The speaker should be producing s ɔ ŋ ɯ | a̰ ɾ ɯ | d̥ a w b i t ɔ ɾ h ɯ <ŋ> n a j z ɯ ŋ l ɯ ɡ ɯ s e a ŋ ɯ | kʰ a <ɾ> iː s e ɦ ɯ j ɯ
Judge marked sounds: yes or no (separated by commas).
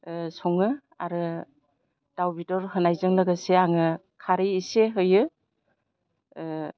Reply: no, yes